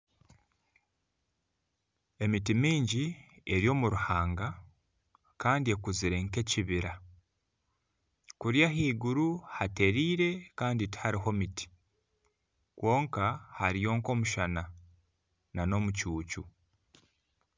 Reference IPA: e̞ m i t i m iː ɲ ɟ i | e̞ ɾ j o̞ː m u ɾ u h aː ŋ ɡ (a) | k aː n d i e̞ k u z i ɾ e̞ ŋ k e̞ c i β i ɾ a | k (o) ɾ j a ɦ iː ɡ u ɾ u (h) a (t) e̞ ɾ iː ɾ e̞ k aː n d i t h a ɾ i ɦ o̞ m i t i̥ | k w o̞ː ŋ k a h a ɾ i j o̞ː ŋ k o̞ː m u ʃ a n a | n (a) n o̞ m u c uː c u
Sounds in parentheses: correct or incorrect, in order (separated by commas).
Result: correct, incorrect, correct, correct, correct